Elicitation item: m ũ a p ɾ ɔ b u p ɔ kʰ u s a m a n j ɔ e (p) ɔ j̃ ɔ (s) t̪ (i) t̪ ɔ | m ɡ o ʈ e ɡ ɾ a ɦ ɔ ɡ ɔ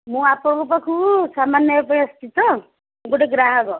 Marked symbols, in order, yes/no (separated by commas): yes, yes, yes